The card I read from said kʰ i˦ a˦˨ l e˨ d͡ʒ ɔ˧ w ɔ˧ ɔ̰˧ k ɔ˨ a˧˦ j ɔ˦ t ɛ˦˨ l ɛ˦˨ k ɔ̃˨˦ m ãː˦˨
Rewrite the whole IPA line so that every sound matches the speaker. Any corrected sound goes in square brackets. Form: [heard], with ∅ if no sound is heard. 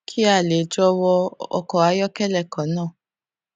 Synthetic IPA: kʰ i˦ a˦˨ l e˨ d͡ʒ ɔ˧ w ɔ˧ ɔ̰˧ k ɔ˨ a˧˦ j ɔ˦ [k] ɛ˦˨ l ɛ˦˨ k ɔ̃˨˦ [n] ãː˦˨